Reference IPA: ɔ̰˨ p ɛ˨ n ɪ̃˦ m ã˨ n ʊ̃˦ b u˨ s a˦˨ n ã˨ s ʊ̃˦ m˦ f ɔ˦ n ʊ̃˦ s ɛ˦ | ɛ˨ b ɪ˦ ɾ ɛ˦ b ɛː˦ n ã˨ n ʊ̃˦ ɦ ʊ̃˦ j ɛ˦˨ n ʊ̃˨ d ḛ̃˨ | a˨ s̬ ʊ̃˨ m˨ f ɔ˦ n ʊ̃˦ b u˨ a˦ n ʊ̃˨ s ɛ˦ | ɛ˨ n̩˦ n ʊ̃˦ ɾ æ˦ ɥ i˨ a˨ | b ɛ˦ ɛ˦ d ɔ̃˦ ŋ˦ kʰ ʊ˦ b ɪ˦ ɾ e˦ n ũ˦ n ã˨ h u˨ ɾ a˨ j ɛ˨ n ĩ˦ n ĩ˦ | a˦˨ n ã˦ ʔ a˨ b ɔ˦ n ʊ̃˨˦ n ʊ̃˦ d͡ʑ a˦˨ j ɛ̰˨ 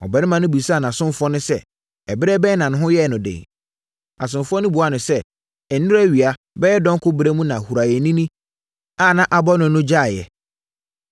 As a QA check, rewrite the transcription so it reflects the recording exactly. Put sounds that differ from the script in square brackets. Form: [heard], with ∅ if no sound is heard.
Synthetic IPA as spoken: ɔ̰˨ [b] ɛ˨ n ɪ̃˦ m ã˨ n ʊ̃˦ b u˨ s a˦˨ n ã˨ s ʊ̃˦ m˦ f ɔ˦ n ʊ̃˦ s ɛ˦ | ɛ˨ b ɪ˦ ɾ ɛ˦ b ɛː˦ n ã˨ n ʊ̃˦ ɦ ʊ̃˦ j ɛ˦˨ n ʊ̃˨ d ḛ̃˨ | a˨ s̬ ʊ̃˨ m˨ f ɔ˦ n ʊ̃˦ b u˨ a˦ n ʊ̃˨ s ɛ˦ | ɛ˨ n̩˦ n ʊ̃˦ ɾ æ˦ ɥ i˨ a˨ | b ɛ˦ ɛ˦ d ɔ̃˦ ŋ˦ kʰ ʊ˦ b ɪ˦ ɾ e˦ [m] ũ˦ n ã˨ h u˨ ɾ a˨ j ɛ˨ n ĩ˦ n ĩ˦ | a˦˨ n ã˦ ʔ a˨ b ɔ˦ n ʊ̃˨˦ n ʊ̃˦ d͡ʑ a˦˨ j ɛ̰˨